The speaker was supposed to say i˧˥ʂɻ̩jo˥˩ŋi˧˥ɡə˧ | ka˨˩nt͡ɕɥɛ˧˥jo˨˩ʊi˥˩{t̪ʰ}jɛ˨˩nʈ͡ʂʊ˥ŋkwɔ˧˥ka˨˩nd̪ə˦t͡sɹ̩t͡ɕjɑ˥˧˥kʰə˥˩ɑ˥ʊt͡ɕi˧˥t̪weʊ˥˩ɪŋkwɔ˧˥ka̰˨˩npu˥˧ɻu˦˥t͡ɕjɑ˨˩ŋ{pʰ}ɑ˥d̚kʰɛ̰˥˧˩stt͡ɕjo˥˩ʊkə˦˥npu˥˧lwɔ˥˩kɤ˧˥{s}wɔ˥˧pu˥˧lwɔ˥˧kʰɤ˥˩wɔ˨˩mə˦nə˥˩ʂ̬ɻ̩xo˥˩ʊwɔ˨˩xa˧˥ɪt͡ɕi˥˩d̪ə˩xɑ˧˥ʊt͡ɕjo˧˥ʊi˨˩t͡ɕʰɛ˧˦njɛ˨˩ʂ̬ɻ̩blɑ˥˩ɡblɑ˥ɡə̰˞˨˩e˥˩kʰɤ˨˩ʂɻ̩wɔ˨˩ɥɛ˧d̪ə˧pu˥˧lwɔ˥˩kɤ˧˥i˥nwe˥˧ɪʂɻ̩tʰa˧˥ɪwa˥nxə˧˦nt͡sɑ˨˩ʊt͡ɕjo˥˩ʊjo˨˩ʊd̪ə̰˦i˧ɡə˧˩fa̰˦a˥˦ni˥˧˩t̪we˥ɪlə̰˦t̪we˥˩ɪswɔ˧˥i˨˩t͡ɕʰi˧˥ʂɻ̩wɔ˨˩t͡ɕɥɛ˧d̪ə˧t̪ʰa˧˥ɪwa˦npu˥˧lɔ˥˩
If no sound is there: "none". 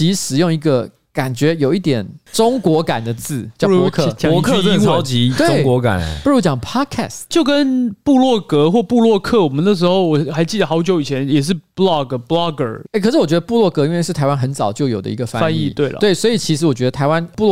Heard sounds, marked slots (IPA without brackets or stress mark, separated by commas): t̪, pʰ, x